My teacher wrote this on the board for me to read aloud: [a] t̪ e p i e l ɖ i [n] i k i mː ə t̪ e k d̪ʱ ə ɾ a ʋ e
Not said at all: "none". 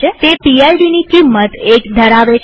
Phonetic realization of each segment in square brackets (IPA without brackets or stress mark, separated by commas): e, n